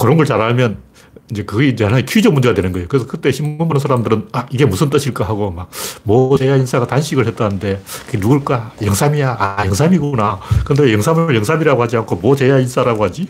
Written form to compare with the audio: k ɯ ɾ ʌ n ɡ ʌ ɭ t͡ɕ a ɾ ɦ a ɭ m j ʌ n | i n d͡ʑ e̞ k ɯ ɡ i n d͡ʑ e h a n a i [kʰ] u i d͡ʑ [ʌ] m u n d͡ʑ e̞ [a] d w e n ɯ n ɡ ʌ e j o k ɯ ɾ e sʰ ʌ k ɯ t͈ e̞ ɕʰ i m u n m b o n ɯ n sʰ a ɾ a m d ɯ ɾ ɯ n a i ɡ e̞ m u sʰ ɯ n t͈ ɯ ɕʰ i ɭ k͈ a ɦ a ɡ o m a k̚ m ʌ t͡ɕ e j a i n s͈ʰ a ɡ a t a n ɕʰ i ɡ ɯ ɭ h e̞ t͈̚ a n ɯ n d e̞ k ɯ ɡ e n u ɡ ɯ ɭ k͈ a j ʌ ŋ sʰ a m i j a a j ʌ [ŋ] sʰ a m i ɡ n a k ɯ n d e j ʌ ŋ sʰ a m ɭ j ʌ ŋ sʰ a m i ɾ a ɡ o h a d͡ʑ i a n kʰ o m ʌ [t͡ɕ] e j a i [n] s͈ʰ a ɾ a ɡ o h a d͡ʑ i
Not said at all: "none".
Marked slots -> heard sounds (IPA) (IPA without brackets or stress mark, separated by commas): kʰ, ʌ, a, ŋ, t͡ɕ, n